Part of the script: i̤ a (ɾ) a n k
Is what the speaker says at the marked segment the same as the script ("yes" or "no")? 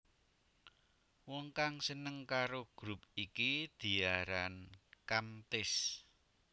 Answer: yes